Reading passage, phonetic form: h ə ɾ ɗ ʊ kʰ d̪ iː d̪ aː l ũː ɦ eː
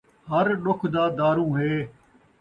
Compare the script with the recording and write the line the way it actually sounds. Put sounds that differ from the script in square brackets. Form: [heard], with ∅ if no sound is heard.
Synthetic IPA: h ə ɾ ɗ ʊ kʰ d̪ [aː] d̪ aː [ɾ] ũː ɦ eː